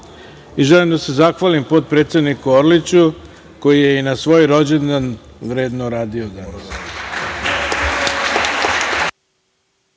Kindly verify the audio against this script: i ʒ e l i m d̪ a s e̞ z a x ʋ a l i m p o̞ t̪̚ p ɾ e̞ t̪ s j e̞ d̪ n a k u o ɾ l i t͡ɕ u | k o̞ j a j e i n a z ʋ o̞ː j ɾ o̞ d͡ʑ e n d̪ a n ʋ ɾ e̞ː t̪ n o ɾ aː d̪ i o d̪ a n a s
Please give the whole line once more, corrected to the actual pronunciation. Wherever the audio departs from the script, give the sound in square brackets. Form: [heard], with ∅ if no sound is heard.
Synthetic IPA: i ʒ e l i m d̪ a s e̞ z a x ʋ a l i m p o̞ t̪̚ p ɾ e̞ t̪ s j e̞ d̪ n [i] k u o ɾ l i t͡ɕ u | k o̞ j [i] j e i n a [s] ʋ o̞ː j ɾ o̞ d͡ʑ e n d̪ a n ʋ ɾ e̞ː [d̪] n o ɾ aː d̪ i o d̪ a n a s